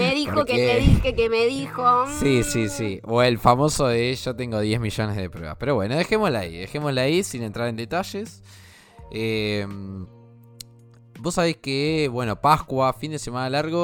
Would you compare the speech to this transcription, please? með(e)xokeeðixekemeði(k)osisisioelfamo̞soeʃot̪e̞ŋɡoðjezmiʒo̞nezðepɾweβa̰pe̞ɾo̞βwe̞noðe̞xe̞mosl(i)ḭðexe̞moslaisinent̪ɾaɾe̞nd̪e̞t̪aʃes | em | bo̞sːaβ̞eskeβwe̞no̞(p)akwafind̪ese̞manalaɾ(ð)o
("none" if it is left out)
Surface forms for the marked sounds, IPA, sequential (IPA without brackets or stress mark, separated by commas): i, x, a, p, ɣ